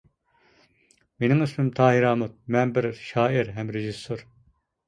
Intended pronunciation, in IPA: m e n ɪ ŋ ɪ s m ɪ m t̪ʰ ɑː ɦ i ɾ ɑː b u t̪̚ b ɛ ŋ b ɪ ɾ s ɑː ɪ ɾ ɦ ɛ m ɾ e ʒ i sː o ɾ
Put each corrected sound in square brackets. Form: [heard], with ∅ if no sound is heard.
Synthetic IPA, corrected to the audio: m e n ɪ ŋ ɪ s m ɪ m t̪ʰ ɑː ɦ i ɾ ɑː [m] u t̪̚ [m] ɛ [n] b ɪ ɾ [ʃ] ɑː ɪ ɾ ɦ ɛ m ɾ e ʒ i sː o ɾ